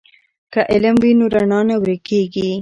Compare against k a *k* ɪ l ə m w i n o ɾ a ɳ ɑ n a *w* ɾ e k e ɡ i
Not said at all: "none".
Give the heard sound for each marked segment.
ʔ, w

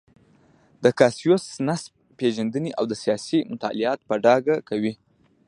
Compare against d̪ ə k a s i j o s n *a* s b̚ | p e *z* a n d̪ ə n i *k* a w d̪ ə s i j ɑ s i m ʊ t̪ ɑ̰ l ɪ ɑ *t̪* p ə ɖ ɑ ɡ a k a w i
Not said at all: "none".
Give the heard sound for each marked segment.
a, ʒ, ʔ, t̪

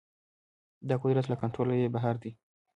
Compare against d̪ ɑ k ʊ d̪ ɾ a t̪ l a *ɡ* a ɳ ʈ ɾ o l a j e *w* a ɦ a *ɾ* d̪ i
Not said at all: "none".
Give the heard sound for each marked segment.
k, b, ɾ

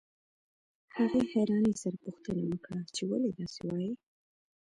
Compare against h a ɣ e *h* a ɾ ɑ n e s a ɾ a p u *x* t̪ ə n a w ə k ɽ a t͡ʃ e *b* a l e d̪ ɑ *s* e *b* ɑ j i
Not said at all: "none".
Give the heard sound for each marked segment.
h, x, w, s, w

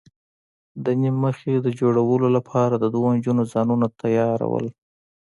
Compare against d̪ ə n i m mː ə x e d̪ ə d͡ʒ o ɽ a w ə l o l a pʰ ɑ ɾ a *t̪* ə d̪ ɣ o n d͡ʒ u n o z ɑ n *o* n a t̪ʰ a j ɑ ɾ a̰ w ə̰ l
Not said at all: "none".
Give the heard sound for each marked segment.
d̪, u

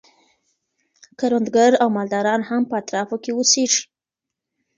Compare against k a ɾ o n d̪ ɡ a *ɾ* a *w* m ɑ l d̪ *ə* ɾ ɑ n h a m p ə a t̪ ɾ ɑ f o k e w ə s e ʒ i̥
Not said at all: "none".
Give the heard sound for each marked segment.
ɾ, w, ɑ

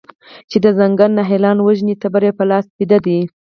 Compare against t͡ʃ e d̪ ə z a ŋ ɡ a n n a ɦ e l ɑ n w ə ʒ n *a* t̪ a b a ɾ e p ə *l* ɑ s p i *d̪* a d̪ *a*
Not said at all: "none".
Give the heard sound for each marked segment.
i, l, d̪, i

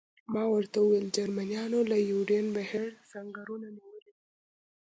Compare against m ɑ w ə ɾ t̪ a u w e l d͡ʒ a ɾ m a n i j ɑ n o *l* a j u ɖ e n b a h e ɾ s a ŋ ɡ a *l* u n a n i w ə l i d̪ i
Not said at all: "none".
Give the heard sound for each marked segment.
l, ɾ

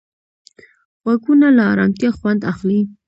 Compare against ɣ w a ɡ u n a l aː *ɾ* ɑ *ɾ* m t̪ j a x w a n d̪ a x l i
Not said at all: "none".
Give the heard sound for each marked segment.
ɾ, none

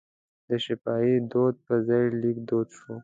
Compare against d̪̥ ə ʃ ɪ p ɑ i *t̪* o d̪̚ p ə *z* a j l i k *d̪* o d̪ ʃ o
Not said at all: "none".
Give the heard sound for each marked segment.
d̪, z, d̪

